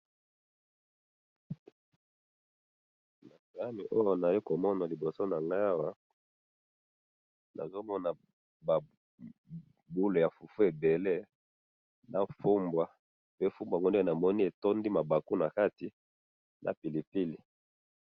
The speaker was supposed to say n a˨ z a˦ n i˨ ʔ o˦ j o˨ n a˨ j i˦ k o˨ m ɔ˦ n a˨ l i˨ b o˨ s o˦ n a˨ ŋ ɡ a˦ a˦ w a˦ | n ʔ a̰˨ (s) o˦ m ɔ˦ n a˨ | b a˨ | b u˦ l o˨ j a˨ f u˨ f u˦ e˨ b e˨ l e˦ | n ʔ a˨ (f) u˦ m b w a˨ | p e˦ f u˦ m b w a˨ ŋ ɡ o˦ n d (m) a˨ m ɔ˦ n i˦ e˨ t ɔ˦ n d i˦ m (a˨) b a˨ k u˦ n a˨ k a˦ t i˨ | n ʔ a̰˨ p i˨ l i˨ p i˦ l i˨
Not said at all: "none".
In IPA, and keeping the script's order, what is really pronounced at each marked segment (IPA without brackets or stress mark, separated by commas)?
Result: z, f, n, a˨